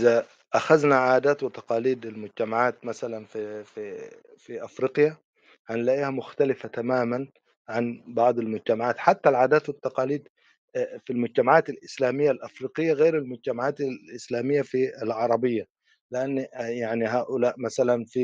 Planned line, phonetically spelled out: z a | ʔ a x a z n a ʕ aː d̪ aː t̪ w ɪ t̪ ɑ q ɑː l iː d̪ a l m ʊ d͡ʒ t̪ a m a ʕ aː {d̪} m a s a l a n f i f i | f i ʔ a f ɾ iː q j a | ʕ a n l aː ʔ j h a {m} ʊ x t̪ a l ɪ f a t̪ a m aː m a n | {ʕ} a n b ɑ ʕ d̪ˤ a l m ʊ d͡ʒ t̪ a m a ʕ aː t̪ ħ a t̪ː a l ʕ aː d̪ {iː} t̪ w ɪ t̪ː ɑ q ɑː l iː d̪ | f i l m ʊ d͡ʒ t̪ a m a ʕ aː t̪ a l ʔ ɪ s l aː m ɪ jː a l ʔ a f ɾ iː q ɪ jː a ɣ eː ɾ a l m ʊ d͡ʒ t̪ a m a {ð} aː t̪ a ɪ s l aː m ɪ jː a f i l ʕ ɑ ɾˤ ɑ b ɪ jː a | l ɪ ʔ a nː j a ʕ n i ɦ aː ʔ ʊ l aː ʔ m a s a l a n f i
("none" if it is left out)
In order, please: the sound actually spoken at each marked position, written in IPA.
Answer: t̪, m, ʕ, aː, ʕ

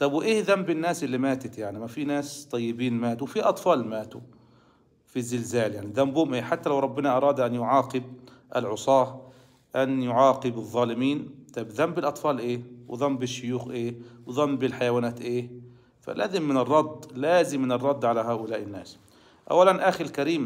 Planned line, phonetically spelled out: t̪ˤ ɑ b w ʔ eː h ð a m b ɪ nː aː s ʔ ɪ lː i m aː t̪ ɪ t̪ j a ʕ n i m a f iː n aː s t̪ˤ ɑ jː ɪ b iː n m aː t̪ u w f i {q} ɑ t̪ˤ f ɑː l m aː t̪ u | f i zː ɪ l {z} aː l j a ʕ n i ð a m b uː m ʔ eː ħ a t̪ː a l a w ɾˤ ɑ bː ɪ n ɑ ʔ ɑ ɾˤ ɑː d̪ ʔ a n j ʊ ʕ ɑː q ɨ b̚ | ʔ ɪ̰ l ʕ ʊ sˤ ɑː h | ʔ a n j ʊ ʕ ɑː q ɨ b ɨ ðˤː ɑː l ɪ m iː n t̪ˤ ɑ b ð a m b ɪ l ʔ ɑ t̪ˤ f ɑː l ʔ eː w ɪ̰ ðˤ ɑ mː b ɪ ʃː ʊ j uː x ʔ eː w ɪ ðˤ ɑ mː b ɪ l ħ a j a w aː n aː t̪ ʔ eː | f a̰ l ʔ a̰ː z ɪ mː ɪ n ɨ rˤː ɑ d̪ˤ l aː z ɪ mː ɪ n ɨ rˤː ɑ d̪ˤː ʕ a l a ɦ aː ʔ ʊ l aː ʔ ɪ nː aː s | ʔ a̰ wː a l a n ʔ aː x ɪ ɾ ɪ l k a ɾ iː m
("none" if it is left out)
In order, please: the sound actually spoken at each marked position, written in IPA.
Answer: ʔ, z

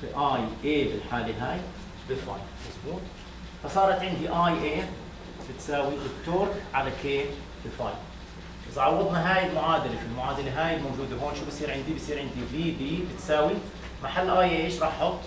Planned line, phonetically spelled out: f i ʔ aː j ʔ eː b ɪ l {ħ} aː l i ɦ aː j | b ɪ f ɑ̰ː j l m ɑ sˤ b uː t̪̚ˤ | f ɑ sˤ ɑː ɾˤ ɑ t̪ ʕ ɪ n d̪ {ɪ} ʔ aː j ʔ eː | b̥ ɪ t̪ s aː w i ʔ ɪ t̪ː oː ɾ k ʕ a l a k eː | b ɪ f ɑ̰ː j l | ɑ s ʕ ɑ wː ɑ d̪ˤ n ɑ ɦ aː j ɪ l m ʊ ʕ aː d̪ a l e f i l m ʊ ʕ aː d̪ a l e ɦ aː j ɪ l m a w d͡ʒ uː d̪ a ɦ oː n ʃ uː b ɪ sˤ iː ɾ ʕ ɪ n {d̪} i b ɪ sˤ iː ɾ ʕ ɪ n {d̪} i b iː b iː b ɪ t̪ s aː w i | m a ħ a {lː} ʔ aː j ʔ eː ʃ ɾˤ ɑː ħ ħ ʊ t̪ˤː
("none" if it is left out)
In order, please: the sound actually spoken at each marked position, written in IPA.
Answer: ħ, i, d̪, d̪, lː

